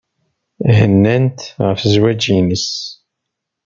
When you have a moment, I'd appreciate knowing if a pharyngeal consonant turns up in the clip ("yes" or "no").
no